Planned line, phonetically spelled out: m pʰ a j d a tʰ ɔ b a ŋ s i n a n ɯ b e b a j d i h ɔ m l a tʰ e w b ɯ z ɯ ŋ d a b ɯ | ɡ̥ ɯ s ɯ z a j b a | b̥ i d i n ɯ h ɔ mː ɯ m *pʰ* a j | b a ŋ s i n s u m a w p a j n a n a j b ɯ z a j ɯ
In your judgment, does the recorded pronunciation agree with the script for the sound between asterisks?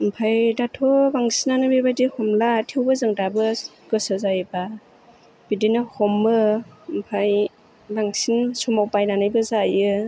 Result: yes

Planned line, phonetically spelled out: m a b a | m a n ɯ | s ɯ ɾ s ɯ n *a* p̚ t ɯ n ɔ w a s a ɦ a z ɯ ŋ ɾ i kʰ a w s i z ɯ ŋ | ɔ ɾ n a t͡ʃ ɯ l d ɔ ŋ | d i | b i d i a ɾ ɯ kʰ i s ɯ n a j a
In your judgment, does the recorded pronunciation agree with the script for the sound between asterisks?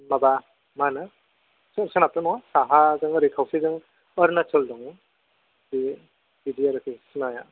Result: yes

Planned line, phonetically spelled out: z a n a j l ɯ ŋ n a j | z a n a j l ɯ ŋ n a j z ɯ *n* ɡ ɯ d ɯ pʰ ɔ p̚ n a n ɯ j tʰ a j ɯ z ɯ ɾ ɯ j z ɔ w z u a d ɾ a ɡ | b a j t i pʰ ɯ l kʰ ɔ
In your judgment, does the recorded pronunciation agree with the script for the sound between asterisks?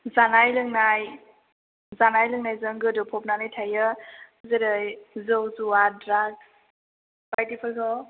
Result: no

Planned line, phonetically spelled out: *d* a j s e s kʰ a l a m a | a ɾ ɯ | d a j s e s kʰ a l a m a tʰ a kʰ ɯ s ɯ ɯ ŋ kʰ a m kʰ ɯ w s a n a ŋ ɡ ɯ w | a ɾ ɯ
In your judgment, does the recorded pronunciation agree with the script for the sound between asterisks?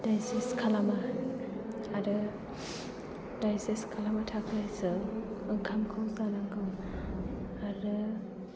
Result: yes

